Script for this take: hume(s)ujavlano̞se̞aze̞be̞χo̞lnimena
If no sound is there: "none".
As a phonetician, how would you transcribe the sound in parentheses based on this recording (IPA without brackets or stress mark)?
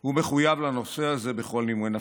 χ